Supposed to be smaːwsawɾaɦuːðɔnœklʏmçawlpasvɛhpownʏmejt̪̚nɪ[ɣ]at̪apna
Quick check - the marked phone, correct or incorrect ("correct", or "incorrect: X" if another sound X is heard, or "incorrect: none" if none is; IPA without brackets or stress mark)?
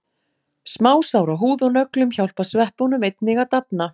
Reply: correct